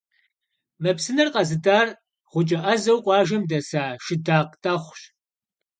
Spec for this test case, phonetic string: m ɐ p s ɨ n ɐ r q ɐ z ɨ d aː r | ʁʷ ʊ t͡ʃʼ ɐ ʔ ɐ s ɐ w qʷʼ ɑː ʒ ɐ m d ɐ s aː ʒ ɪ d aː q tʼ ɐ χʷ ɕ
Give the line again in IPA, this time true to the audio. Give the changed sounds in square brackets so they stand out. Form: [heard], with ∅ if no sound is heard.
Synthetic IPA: m ɐ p s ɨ n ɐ r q ɐ z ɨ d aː r | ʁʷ ʊ t͡ʃʼ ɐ ʔ ɐ [z] ɐ w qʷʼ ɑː ʒ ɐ m d ɐ s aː [ʃ] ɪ d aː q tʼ ɐ χʷ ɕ